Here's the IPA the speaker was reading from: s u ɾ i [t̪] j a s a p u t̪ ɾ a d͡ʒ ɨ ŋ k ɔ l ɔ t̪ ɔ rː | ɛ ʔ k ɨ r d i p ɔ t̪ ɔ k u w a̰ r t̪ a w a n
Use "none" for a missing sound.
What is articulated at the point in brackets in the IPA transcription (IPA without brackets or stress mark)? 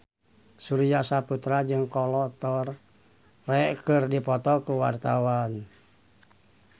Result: none